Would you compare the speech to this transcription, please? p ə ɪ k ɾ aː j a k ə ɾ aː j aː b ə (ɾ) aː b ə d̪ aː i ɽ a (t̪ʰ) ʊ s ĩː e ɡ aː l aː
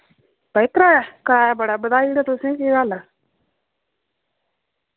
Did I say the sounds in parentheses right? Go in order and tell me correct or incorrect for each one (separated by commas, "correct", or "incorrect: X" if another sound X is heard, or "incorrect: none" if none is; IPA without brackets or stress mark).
incorrect: ɽ, incorrect: t̪